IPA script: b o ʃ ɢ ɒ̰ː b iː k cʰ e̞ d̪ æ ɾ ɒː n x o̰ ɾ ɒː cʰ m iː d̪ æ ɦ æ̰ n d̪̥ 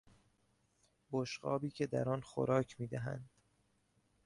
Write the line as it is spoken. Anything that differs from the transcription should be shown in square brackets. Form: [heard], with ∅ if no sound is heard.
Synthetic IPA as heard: b o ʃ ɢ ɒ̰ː b iː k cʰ e̞ d̪ æ ɾ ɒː n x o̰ ɾ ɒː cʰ m iː d̪ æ ɦ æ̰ n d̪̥